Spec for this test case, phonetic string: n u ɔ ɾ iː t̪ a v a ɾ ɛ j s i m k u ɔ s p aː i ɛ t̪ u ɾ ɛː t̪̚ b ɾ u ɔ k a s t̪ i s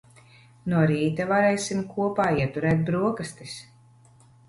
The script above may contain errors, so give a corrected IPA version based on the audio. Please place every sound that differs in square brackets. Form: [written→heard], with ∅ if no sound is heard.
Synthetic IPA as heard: n u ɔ ɾ iː t̪ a v a ɾ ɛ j s i m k u ɔ [s→∅] p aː i ɛ t̪ u ɾ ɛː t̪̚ b ɾ u ɔ k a s t̪ i s